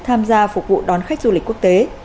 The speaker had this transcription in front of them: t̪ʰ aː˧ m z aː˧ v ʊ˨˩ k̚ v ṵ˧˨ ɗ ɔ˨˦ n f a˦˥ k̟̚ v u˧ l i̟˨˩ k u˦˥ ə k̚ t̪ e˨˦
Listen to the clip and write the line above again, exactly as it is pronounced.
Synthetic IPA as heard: t̪ʰ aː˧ m z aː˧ f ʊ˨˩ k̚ v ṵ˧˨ ɗ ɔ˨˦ n x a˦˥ k̟̚ z u˧ l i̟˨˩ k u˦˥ ə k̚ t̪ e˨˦